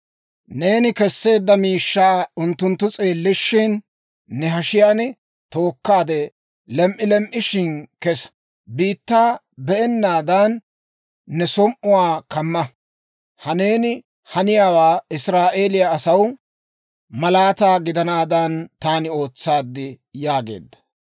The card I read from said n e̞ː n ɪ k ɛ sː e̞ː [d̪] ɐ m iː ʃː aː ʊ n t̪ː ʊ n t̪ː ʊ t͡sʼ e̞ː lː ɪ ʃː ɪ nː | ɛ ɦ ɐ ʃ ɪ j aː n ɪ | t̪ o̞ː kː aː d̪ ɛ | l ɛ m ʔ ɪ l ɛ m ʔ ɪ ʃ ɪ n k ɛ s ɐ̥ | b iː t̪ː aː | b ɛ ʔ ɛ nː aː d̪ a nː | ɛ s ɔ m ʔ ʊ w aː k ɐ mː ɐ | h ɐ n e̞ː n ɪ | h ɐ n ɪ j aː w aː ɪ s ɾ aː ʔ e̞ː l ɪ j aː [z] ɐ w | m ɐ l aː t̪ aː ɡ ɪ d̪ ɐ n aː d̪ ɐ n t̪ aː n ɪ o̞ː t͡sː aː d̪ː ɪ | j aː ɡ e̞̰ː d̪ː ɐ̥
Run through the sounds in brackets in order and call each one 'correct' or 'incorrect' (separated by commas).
incorrect, incorrect